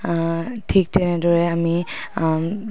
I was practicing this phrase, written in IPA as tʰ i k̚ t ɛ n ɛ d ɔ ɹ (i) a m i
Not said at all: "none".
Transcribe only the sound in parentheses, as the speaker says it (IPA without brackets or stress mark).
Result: ɛ